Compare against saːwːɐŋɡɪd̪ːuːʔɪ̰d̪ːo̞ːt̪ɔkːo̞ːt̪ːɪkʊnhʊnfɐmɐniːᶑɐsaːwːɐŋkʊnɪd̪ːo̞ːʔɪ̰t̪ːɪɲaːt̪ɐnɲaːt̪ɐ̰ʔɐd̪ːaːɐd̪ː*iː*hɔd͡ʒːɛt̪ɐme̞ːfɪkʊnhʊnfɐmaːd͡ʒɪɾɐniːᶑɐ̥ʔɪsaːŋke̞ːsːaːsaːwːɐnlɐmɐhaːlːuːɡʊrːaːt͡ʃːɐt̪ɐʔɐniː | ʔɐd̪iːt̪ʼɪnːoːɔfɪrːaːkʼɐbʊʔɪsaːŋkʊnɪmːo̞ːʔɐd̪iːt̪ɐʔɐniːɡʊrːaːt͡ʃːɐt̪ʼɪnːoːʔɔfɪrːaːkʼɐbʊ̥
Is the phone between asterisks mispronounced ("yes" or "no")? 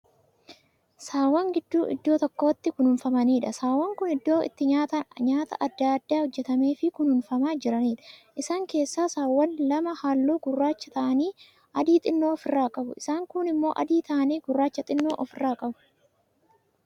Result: yes